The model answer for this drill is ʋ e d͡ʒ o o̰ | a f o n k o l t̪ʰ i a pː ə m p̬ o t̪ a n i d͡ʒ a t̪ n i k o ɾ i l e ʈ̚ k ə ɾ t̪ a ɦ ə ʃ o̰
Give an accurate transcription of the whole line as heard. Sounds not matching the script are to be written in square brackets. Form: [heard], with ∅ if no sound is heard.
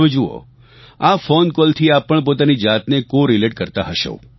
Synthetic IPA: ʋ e d͡ʒ [u] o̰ | a f o n k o l t̪ʰ i a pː ə [ɳ] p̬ o t̪ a n i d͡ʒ a t̪ n [e] k o ɾ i l e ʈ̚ k ə ɾ t̪ a ɦ ə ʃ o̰